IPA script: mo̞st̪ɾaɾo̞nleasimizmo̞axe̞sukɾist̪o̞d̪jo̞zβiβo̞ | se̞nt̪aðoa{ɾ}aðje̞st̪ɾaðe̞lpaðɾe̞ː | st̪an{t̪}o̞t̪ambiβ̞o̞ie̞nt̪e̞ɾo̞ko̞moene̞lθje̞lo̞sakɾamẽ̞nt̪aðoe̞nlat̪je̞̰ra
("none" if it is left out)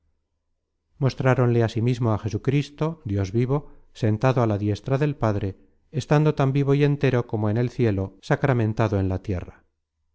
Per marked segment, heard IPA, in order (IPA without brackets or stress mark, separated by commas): l, d̪